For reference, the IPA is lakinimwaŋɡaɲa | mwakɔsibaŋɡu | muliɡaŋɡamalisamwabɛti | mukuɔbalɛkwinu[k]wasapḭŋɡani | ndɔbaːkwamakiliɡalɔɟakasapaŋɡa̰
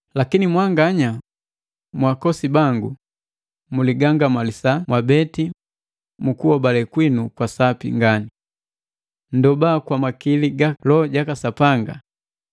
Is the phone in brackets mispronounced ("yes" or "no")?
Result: no